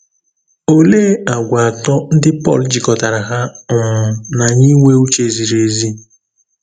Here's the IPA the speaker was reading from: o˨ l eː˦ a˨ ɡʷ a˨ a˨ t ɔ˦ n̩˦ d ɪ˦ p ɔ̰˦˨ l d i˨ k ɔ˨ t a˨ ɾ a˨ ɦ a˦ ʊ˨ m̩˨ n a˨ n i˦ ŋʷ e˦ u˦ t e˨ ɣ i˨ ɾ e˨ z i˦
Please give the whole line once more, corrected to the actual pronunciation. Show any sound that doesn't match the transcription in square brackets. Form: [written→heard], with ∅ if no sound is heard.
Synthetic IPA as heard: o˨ l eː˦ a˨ ɡʷ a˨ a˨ t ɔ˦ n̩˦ d ɪ˦ p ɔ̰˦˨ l [d→d͡ʒ] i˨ k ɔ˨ t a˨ ɾ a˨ ɦ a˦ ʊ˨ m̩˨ n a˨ [n→ɲ] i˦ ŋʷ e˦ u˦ [t→t͡ʃ] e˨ [ɣ→z] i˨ ɾ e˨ z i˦